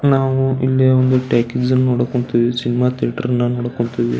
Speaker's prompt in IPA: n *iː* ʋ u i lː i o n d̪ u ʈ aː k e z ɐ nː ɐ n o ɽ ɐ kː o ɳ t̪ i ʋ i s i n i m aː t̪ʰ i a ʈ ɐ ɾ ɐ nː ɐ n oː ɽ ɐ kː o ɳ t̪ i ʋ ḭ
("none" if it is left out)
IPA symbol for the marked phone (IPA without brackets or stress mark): aː